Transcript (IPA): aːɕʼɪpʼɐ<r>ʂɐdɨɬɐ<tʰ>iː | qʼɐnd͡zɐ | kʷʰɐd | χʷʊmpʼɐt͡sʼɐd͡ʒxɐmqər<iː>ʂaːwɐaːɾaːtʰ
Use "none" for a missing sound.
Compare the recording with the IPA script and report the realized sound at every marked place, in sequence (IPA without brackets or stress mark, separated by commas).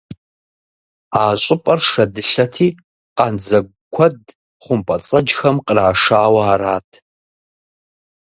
r, tʰ, aː